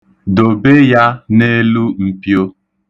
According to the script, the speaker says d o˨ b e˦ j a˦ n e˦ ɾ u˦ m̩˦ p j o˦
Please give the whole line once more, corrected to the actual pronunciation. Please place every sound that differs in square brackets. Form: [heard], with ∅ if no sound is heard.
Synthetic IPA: d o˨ b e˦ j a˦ n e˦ [l] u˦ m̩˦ p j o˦